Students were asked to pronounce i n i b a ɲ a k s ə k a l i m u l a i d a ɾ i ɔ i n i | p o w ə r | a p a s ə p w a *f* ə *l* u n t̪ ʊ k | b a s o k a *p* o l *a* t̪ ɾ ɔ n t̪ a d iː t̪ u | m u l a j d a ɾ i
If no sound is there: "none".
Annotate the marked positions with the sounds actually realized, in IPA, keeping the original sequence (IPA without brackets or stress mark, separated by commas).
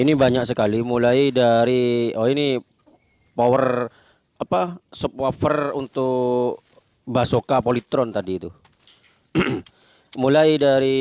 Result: f, r, p, i